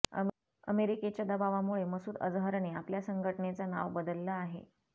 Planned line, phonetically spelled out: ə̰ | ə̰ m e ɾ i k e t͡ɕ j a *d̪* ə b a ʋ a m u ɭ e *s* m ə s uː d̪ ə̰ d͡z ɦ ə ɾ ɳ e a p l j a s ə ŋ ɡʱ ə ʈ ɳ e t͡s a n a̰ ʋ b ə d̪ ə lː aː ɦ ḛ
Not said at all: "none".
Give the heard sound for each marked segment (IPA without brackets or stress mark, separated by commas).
d̪, none